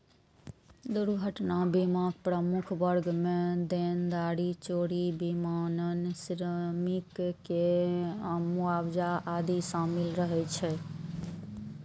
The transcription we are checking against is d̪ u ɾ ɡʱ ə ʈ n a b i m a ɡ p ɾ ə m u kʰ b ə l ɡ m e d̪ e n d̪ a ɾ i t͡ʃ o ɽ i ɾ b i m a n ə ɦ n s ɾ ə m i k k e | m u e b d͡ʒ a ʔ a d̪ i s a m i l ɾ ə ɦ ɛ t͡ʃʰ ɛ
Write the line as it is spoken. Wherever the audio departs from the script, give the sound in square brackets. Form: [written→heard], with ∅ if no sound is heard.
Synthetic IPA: d̪ u ɾ ɡʱ ə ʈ n a b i m a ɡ p ɾ ə m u kʰ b ə [l→ɾ] ɡ m e d̪ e n d̪ a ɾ i t͡ʃ o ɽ i [ɾ→∅] b i m a n ə [ɦ→∅] n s ɾ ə m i k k e | m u [e→a] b d͡ʒ a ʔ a d̪ i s a m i l ɾ ə ɦ ɛ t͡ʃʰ ɛ